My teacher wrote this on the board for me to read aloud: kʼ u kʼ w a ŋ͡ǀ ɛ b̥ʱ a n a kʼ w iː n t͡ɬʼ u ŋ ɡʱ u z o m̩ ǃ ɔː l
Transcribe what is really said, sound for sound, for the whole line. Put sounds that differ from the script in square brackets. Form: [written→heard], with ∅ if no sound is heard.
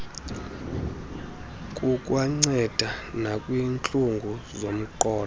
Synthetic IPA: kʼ u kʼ w a ŋ͡ǀ ɛ [b̥ʱ→d̥ʱ] a n a kʼ w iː n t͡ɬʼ u ŋ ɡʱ u z o m̩ ǃ ɔː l